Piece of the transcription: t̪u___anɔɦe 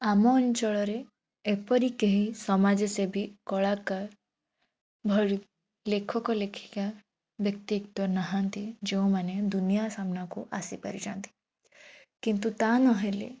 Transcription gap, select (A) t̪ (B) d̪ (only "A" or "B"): A